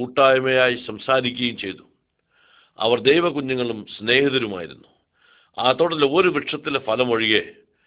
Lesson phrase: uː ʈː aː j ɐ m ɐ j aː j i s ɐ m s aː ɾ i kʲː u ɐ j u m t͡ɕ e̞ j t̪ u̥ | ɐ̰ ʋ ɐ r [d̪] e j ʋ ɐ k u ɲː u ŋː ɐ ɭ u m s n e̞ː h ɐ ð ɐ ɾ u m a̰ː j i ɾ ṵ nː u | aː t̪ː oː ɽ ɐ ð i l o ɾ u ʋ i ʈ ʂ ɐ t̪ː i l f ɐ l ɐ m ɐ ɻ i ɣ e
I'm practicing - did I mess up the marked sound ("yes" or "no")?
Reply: no